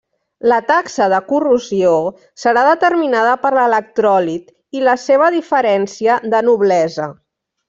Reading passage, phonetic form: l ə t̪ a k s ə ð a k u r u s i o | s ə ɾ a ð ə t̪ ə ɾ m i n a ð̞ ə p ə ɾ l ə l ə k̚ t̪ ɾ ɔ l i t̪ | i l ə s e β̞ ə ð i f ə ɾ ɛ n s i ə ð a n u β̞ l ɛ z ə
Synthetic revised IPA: l ə t̪ a k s ə ð ə k u r u z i o | s ə ɾ a ð ə t̪ ə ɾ m i n a ð̞ ə p ə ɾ l ə l ə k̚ t̪ ɾ ɔ l i t̪ | i l ə s e β̞ ə ð i f ə ɾ ɛ n s i ə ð ə n u β̞ l ɛ z ə